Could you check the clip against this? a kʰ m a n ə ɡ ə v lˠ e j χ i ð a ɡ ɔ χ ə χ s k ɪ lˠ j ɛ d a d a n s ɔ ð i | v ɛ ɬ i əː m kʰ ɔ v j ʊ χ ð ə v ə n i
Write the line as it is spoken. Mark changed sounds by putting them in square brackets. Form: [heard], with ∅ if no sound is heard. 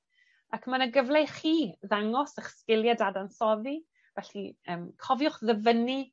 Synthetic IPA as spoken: a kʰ m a n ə ɡ ə v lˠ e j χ [iː] ð a [ŋ] ɔ [s] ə χ s k ɪ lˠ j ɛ d a d a n s ɔ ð i | v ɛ ɬ i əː m kʰ ɔ v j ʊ χ ð ə v ə n i